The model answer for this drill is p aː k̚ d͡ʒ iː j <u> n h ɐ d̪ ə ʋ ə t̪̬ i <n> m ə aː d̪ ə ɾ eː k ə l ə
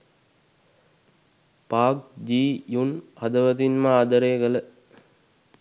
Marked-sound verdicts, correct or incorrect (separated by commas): correct, correct